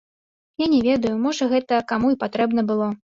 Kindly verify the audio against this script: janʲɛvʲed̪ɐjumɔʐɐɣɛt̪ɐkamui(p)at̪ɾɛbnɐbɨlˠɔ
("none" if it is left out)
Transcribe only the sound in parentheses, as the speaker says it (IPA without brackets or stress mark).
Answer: p